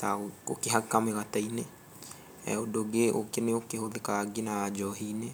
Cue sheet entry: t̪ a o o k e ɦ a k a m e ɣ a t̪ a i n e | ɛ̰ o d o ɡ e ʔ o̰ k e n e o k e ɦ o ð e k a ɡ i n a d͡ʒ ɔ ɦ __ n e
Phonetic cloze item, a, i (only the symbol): i